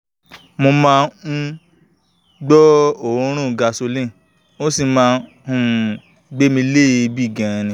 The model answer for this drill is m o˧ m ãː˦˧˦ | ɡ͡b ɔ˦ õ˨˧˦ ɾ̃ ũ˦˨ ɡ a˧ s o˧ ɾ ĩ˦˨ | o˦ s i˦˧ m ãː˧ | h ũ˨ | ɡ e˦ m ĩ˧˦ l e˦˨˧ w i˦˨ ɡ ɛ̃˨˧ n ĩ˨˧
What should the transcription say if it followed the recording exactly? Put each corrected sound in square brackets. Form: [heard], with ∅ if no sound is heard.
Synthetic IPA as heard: m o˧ m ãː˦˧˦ | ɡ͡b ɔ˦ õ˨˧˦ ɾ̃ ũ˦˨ ɡ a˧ s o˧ [l] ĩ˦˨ | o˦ s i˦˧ m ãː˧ | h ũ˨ | [ɡ͡b] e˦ m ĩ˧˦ l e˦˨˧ [b] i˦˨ ɡ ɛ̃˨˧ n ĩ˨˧